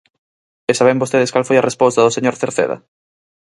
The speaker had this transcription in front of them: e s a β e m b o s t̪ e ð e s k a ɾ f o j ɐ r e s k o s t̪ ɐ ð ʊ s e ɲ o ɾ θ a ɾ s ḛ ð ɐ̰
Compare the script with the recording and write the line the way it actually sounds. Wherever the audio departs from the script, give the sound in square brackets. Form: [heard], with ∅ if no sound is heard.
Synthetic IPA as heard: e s a β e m b o s t̪ e ð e s k a [l] f o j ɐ r e s [p] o s t̪ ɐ ð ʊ s e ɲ o ɾ θ [e] ɾ [θ] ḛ ð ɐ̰